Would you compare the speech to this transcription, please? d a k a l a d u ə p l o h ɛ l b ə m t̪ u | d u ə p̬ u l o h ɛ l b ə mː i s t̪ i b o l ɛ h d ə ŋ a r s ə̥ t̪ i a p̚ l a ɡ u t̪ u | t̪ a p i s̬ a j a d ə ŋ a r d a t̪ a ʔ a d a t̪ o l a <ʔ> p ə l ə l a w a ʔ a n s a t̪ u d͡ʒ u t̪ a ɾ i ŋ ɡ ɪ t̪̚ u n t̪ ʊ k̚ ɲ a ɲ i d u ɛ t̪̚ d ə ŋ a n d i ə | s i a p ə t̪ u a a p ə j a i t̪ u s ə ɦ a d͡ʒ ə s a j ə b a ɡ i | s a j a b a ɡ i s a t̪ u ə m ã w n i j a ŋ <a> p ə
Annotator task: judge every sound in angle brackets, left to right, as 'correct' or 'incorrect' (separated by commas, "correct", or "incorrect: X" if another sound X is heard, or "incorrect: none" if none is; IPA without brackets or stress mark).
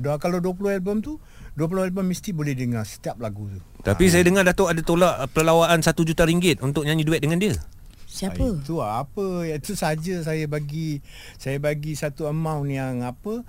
correct, correct